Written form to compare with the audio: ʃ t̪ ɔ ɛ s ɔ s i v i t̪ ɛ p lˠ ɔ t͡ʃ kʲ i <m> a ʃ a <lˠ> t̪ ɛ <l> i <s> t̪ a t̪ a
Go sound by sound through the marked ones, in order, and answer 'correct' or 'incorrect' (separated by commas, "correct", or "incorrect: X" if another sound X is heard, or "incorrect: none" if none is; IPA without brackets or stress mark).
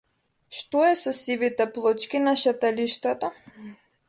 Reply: incorrect: n, incorrect: none, correct, incorrect: ʃ